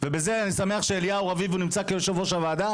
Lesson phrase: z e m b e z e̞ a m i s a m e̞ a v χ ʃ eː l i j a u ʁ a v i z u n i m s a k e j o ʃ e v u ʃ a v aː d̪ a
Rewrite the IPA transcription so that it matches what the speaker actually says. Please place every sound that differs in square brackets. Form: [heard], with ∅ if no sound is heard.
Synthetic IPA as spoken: [v] e [∅] b e z e̞ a [n] i s a m e̞ a [∅] χ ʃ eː l i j a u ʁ a v i [v] u n i m [t͡s] a k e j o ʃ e v [o] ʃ a v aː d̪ a